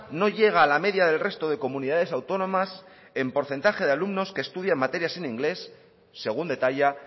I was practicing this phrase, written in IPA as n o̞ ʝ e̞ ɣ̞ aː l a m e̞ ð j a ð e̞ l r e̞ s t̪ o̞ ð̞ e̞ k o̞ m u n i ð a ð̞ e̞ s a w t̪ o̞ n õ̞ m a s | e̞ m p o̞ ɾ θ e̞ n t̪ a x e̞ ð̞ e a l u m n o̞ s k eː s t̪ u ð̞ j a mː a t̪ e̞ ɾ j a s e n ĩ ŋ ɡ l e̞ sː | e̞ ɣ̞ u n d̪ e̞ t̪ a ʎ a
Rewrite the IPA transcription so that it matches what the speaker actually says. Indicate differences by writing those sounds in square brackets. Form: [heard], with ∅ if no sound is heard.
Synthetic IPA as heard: n o̞ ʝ e̞ ɣ̞ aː l a m e̞ ð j a ð e̞ l r e̞ s t̪ o̞ ð̞ e̞ k o̞ m u n i ð a ð̞ e̞ s a w t̪ o̞ n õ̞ m a s | e̞ m p o̞ ɾ θ e̞ n t̪ a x e̞ ð̞ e a l u m n o̞ s k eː s t̪ u ð̞ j a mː a t̪ e̞ ɾ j a s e n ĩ ŋ ɡ l e̞ sː | e̞ ɣ̞ u n d̪ e̞ t̪ a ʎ a